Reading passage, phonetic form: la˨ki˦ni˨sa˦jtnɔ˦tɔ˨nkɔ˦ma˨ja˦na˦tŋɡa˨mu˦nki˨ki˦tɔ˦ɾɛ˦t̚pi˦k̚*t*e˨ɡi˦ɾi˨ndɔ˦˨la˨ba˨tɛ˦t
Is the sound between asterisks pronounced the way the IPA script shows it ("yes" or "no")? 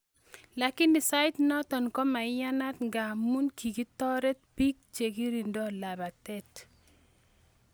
no